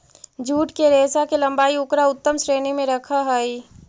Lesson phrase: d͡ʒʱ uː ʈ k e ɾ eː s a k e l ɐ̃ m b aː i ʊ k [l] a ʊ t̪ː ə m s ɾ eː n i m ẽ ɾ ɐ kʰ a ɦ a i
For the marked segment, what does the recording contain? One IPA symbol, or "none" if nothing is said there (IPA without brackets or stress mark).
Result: ɾ